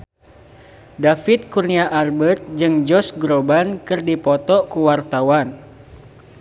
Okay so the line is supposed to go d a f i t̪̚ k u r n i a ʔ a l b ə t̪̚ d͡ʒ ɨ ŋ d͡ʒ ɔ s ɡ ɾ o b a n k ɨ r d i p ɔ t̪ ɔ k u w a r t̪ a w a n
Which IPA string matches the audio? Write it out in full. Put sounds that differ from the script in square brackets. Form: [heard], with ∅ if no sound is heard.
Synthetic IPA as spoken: d a f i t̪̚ k u r n i a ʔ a [r] b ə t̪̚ d͡ʒ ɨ ŋ d͡ʒ ɔ s ɡ ɾ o b a n k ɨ r d i p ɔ t̪ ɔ k u w a r t̪ a w a n